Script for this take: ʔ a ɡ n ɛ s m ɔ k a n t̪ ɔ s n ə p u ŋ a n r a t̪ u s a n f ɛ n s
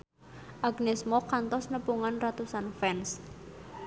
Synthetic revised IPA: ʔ a ɡ n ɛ s m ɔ k a n t̪ ɔ s n ə p u ŋ a n r a t̪ u s a n f ɛ n s